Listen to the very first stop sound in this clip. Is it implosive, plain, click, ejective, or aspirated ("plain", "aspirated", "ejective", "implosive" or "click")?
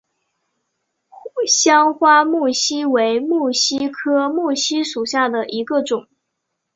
aspirated